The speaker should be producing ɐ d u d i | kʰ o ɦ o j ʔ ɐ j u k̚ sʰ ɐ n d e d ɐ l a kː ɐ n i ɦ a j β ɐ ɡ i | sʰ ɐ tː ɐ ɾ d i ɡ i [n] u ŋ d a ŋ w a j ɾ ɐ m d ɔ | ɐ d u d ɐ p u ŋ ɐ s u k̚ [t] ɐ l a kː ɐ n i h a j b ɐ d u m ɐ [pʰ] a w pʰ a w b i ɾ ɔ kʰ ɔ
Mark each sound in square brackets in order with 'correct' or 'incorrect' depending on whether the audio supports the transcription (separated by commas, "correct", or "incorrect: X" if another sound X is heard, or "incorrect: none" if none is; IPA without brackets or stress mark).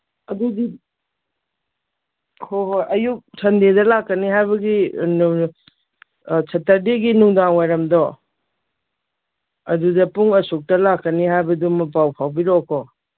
correct, correct, incorrect: p